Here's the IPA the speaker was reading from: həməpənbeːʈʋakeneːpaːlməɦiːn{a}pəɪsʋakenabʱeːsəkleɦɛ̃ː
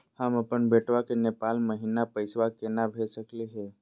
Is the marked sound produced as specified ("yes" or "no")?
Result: yes